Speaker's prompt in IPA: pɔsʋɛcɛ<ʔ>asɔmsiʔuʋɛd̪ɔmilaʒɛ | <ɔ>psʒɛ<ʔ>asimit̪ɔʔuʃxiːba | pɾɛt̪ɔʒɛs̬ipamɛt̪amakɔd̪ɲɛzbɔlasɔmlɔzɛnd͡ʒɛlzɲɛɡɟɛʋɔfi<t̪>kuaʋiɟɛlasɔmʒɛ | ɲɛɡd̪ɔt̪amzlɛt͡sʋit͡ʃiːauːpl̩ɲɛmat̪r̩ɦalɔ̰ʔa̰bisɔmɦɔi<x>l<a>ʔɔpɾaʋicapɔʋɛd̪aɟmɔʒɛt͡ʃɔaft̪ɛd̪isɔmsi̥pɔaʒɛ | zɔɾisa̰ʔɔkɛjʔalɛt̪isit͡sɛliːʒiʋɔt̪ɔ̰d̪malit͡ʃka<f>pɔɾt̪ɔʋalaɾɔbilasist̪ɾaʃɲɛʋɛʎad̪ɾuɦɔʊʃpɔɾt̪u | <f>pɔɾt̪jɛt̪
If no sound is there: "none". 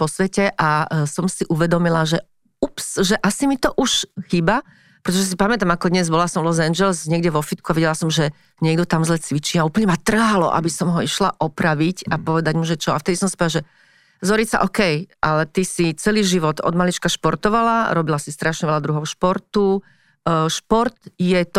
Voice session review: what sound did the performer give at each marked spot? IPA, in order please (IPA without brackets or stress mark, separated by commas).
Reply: ʔ, u, ʔ, t̪, ʃ, a, ʃ, ʃ